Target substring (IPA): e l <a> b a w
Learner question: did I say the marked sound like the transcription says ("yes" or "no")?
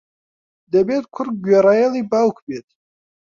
no